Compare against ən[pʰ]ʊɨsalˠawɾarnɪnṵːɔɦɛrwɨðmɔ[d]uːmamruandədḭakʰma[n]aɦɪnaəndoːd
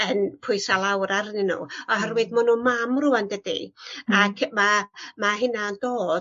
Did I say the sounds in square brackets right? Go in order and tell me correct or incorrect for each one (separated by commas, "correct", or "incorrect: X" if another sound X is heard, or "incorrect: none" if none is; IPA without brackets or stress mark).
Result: correct, incorrect: n, incorrect: m